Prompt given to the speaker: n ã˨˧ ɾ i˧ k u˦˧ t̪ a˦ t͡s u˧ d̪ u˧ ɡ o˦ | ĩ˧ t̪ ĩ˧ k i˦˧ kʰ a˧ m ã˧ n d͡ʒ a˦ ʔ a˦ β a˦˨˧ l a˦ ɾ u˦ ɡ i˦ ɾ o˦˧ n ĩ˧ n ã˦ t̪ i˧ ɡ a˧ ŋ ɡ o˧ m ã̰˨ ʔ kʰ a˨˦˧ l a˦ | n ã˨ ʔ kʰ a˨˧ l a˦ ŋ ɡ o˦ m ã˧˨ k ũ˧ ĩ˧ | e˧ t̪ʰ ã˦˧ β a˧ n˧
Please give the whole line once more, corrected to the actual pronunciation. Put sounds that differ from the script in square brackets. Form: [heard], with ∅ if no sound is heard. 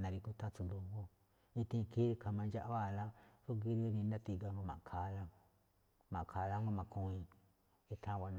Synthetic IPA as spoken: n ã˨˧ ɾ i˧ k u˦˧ t̪ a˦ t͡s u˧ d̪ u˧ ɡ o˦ | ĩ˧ t̪ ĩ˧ k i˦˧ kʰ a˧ m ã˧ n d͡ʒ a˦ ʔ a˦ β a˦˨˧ l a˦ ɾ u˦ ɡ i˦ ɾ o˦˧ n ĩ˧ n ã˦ t̪ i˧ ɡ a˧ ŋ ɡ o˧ m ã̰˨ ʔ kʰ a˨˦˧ l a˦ | [m] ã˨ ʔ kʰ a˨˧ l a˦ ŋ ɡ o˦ m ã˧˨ k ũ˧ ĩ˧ | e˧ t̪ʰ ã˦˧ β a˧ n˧